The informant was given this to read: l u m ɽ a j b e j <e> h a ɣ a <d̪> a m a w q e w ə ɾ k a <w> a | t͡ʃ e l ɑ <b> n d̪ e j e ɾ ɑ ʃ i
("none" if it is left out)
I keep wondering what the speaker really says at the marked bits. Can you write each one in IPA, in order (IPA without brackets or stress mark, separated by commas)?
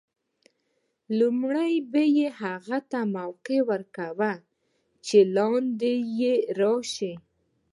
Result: e, t̪, w, none